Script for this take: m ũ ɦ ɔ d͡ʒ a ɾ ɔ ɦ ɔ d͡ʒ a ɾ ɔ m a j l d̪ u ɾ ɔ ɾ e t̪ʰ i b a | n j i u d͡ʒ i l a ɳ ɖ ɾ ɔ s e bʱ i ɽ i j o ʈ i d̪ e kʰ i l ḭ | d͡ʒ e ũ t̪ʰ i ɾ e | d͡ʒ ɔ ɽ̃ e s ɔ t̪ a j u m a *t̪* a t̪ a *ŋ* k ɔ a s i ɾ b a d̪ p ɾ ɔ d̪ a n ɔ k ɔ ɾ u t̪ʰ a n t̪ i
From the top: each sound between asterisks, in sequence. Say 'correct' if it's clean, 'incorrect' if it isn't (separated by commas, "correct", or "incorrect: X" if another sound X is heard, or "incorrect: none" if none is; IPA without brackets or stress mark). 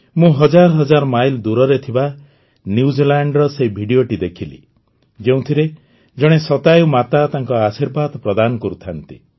correct, correct